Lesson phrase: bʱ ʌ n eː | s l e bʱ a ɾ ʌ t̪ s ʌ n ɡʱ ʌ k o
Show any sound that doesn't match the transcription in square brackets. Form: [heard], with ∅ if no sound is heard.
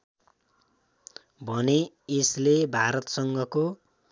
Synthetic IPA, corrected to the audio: bʱ ʌ n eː | s l e bʱ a ɾ ʌ t̪ s ʌ [ŋ] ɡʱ ʌ k o